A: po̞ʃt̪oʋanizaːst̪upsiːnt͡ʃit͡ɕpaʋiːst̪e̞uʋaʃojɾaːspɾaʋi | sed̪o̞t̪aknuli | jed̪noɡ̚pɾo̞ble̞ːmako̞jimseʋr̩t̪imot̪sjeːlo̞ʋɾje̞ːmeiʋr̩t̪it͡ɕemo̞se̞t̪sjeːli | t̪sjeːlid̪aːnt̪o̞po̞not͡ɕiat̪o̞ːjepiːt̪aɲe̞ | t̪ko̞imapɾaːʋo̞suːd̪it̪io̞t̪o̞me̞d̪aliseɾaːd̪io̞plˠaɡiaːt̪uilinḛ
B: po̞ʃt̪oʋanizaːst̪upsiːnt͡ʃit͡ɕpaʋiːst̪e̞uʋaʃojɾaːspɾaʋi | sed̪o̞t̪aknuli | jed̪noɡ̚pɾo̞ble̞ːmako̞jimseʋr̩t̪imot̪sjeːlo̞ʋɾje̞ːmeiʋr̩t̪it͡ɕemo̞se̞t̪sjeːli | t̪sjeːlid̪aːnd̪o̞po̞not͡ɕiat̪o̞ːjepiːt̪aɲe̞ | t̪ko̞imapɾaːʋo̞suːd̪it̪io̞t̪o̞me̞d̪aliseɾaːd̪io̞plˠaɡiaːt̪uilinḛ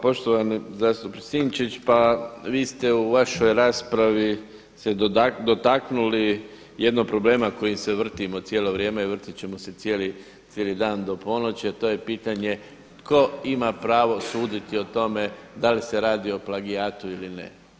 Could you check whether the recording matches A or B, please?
B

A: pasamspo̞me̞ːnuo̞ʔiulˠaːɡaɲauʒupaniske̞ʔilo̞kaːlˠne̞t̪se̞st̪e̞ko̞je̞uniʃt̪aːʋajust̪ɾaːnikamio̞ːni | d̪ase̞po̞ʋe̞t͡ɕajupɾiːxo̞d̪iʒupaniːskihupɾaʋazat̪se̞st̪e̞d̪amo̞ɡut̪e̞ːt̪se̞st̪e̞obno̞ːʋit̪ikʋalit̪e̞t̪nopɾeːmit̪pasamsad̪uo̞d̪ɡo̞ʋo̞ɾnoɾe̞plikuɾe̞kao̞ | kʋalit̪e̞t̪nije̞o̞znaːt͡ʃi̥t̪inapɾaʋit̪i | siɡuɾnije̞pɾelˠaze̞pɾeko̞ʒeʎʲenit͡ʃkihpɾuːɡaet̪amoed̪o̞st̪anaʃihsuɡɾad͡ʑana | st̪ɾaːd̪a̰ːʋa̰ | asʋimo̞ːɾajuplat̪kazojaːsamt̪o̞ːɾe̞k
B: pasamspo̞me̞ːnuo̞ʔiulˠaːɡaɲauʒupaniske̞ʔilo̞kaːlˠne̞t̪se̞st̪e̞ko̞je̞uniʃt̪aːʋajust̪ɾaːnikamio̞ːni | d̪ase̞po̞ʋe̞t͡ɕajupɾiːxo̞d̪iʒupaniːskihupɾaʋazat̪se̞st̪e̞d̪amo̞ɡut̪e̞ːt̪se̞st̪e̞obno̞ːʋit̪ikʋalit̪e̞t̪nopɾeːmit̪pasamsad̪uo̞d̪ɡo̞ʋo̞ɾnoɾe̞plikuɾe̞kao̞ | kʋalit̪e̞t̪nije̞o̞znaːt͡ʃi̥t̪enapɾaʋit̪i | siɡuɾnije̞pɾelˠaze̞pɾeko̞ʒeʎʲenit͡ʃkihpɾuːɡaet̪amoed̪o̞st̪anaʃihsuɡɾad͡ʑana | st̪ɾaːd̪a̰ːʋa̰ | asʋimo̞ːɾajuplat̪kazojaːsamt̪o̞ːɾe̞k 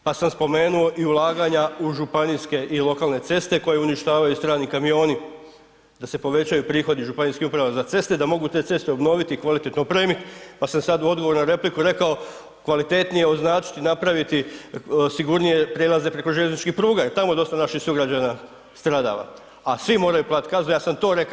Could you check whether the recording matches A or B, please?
A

